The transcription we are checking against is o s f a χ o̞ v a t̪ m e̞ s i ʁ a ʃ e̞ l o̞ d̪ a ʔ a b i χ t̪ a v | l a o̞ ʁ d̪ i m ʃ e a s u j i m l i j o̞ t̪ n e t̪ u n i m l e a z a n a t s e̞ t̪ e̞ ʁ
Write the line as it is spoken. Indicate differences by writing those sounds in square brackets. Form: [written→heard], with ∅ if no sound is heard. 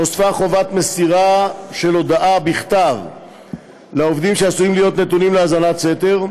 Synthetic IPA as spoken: o s f a χ o̞ v a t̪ m e̞ s i ʁ a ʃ e̞ l o̞ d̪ a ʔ a b i χ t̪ a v | l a o̞ [ʁ→v] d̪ i m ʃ e a s u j i m l i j o̞ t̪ n e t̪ u n i m l e a z a n a t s e̞ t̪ e̞ ʁ